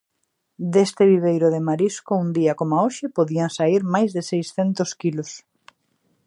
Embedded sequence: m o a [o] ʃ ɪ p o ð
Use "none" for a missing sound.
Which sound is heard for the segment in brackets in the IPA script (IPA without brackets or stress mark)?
o